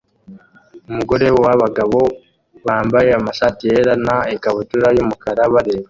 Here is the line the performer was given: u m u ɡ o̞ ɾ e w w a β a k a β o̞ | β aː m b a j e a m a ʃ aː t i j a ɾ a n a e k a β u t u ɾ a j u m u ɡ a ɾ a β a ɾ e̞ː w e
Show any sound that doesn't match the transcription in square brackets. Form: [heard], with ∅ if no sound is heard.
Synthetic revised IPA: u m u ɡ o̞ ɾ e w w a β a [ɡ] a β o̞ | β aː m b a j e a m a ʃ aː t i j [e] ɾ a n a e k a β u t u ɾ a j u m u [k] a ɾ a β a ɾ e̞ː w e